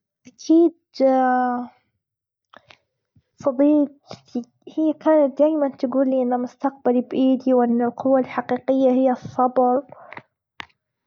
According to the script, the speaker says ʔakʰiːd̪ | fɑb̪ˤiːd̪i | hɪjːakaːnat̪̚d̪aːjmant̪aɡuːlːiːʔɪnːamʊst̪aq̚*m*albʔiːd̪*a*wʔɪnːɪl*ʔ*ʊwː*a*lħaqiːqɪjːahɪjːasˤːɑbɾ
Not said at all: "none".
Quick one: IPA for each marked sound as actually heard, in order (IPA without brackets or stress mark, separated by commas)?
b, i, q, a